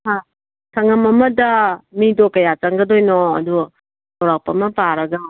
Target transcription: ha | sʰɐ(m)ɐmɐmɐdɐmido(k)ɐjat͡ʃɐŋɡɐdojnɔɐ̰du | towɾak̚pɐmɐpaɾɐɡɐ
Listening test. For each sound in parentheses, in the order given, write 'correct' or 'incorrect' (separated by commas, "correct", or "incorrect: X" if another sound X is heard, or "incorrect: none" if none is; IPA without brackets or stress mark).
incorrect: ŋ, correct